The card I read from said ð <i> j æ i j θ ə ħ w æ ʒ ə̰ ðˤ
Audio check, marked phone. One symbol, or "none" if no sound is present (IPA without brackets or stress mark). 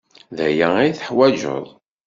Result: æ